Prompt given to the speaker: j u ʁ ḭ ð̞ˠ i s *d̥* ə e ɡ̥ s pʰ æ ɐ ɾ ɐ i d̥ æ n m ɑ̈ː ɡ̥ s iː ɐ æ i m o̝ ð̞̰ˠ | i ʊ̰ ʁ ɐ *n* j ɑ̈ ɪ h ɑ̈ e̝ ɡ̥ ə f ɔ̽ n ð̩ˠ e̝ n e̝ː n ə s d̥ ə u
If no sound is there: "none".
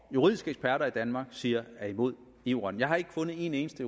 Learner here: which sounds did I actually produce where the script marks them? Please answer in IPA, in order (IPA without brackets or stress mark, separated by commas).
ɡ̥, n